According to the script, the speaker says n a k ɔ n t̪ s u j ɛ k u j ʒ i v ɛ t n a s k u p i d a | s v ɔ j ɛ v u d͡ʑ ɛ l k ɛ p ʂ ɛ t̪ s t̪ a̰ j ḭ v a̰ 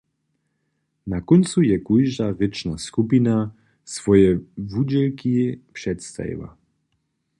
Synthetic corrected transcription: n a k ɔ n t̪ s u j ɛ k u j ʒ a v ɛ t͡ʃ n a s k u p i n a | s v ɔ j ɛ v u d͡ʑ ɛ l k i p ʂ ɛ t̪ s t̪ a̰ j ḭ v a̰